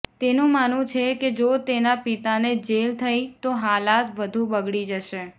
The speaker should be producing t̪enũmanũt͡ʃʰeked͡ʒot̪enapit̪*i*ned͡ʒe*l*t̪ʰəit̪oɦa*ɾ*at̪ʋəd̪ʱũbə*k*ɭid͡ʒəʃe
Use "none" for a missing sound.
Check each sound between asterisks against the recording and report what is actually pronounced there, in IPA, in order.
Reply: a, l, l, ɡ

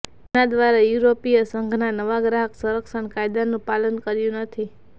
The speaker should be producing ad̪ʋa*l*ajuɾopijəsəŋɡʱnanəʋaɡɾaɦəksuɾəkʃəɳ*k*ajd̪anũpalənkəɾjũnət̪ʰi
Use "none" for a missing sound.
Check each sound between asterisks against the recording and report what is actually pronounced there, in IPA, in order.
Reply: ɾ, k

